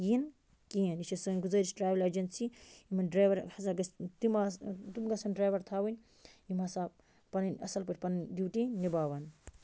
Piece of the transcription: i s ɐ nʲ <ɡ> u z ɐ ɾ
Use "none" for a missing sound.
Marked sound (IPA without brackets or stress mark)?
ɡ